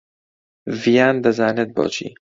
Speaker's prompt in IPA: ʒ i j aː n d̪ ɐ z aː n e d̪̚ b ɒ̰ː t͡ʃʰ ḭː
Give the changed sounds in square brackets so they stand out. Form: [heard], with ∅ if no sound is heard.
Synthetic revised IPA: [v] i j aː n d̪ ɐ z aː n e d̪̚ b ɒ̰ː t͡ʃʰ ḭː